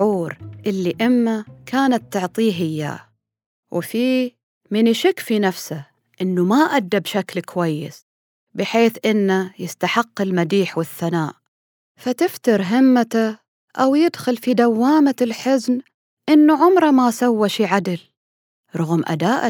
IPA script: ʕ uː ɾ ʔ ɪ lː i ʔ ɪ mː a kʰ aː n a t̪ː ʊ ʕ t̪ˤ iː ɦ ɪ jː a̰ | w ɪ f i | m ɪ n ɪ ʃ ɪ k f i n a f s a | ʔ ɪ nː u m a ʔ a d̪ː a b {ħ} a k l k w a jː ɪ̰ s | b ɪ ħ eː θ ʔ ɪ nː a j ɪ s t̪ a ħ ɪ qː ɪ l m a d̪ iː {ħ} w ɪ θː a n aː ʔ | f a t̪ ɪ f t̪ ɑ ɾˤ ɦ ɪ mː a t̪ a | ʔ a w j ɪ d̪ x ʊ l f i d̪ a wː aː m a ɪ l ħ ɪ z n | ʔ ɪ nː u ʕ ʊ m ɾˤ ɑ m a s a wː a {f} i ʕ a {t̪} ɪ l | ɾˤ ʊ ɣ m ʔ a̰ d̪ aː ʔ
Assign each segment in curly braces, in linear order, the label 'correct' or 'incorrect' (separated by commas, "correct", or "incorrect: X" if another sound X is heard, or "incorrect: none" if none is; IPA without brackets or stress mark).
incorrect: ʃ, correct, incorrect: ʃ, incorrect: d̪